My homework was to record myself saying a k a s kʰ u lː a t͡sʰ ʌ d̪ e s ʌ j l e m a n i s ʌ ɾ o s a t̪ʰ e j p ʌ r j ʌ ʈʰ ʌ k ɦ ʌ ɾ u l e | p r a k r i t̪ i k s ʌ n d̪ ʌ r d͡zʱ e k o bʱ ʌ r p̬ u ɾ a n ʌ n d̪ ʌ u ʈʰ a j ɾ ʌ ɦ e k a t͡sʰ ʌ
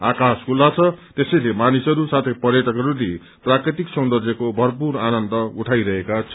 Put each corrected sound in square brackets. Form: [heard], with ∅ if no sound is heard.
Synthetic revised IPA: a k a s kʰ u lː a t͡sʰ ʌ [t̪] e s ʌ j l e m a n i s ʌ ɾ [u] s a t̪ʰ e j p ʌ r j ʌ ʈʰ ʌ k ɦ ʌ ɾ u l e | p r a k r i t̪ i k s ʌ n d̪ ʌ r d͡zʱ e k o bʱ ʌ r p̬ u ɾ a n ʌ n d̪ ʌ u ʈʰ a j ɾ ʌ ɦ e k a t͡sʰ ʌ

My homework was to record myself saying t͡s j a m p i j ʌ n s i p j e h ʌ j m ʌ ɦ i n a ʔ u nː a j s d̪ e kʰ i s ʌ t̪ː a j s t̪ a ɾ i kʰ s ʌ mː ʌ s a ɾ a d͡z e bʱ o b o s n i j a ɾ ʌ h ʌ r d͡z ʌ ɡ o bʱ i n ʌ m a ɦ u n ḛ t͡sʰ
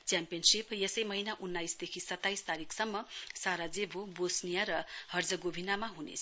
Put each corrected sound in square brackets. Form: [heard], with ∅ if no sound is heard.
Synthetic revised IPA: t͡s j a m p i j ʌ n s i p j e [s] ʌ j m ʌ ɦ i n a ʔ u nː a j s d̪ e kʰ i s ʌ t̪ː a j s t̪ a ɾ i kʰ s ʌ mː ʌ s a ɾ a d͡z e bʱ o b o s n i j a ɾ ʌ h ʌ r d͡z ʌ ɡ o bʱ i n [a] m a ɦ u n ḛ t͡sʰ

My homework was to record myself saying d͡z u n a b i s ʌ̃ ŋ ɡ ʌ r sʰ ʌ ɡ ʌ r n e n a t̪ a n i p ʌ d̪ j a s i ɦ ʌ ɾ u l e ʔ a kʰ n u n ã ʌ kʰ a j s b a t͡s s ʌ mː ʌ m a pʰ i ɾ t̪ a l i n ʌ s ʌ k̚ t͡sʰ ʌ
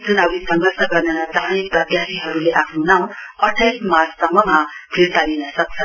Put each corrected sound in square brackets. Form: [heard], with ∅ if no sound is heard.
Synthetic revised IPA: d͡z u n [ʌ] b i s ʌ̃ ŋ ɡ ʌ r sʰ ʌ ɡ ʌ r n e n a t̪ a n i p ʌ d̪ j a s i ɦ ʌ ɾ u l e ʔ a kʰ n u n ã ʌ [ʈʰ] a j s [m] a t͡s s ʌ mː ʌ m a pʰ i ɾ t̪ a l i n ʌ s ʌ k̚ t͡sʰ ʌ

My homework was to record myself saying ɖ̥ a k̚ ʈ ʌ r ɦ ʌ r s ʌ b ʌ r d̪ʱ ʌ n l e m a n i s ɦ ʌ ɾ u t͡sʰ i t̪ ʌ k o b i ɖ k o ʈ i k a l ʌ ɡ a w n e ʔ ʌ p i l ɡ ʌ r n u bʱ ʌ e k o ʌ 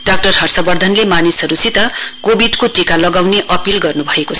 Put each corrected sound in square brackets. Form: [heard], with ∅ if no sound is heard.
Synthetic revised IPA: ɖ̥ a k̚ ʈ ʌ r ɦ ʌ r s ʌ b ʌ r d̪ʱ ʌ n l e m a n i s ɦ ʌ ɾ u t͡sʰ i t̪ ʌ k o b i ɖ k o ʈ i k a l ʌ ɡ a w n e ʔ ʌ p i l ɡ ʌ r n u bʱ ʌ e k o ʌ

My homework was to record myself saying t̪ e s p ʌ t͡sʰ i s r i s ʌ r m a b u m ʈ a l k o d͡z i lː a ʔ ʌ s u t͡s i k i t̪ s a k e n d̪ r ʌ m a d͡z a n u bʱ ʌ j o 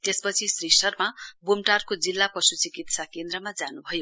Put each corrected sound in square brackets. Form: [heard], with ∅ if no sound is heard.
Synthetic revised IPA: t̪ e s p ʌ t͡sʰ i s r i s ʌ r m a b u m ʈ a [r] k o d͡z i lː a [p] ʌ s u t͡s i k i t̪ s a k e n d̪ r ʌ m a d͡z a n u bʱ ʌ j o

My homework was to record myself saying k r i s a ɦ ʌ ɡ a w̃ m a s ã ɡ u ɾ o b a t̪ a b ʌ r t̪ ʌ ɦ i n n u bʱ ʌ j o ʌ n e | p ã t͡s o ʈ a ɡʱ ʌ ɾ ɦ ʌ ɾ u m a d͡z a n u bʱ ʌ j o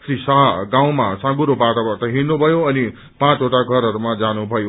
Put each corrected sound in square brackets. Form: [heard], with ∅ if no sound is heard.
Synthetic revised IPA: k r i s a ɦ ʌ ɡ a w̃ m a s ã ɡ u ɾ o b a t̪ a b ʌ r t̪ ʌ ɦ i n n u bʱ ʌ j o ʌ n [i] | p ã t͡s o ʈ a ɡʱ ʌ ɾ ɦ ʌ ɾ u m a d͡z a n u bʱ ʌ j o

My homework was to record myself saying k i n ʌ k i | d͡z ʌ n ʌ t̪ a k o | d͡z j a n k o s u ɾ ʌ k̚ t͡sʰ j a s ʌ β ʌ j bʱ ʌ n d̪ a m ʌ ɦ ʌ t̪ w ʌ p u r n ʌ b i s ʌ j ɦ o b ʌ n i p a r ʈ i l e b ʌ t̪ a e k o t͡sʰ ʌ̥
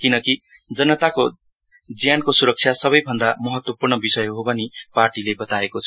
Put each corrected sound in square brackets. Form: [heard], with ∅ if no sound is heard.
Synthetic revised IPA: k i n ʌ k i | d͡z ʌ n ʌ t̪ a k o | d͡z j a n k o s u ɾ ʌ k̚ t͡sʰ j a s ʌ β ʌ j bʱ ʌ n d̪ a m ʌ ɦ ʌ t̪ w ʌ p u r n ʌ b i s ʌ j ɦ o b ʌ n i p a r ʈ i l e b ʌ t̪ a e k o t͡sʰ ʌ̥

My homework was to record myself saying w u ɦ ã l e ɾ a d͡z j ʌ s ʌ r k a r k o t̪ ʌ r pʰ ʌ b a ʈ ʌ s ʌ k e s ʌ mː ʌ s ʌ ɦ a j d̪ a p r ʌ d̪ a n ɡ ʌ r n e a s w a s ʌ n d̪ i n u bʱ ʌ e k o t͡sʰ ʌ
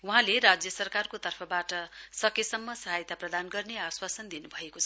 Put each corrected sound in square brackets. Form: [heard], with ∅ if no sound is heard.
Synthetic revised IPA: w u ɦ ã l e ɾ a d͡z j ʌ s ʌ r k a r k o t̪ ʌ r pʰ ʌ b a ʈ ʌ s ʌ k e s ʌ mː ʌ s ʌ ɦ a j [t̪] a p r ʌ d̪ a n ɡ ʌ r n e a s w a s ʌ n d̪ i n u bʱ ʌ e k o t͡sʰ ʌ

